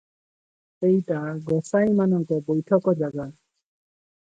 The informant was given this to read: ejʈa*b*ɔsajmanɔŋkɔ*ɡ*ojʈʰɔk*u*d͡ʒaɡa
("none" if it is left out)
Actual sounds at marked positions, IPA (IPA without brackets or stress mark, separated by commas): ɡ, b, ɔ